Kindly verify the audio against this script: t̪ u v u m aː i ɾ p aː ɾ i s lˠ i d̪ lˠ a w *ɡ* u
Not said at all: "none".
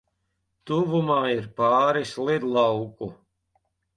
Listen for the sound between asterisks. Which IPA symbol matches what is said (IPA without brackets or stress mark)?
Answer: k